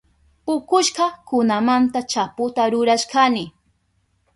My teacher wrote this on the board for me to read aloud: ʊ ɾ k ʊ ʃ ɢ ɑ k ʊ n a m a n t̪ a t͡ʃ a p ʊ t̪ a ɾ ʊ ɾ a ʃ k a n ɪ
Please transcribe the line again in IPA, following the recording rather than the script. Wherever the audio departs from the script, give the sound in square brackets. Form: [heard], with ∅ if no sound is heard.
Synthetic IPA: ʊ [∅] k ʊ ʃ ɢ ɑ k ʊ n a m a n t̪ a t͡ʃ a p ʊ t̪ a ɾ ʊ ɾ a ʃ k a n ɪ